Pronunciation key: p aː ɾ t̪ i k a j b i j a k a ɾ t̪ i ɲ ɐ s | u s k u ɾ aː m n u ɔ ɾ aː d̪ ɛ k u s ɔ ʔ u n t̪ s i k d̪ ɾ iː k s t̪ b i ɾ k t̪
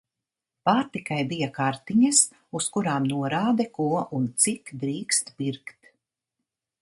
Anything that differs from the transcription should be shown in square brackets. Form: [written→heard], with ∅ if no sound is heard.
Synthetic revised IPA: p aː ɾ t̪ i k a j b i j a k a ɾ t̪ i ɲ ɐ s | u s k u ɾ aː m n u ɔ ɾ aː d̪ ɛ k u [s→∅] ɔ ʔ u n t̪ s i k d̪ ɾ iː k s t̪ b i ɾ k t̪